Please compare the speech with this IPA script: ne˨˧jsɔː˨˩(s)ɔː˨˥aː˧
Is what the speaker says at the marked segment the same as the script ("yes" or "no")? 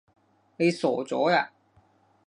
no